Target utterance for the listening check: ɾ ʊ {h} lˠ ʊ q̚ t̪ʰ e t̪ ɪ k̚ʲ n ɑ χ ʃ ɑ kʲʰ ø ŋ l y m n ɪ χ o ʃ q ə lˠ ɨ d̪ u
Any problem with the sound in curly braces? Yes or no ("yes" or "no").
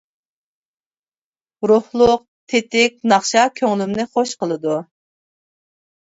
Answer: no